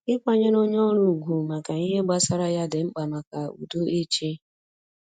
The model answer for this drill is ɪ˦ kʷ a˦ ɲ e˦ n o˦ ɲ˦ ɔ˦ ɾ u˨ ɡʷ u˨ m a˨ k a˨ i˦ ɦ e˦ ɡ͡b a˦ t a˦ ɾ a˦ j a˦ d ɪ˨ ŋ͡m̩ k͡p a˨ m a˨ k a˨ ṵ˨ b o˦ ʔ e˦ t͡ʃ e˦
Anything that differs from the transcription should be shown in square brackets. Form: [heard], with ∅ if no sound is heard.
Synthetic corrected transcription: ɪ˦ kʷ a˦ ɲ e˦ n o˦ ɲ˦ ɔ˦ ɾ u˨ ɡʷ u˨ m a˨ k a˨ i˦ ɦ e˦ ɡ͡b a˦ [s] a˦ ɾ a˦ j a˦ d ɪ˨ ŋ͡m̩ k͡p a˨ m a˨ k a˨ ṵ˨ [d] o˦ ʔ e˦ t͡ʃ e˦